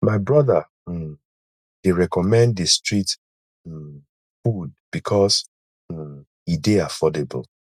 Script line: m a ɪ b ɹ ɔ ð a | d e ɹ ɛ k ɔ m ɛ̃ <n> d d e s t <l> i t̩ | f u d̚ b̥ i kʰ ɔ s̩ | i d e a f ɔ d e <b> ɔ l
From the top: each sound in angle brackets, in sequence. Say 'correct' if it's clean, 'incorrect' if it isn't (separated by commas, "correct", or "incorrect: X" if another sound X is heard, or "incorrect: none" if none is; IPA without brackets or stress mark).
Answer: correct, incorrect: ɹ, correct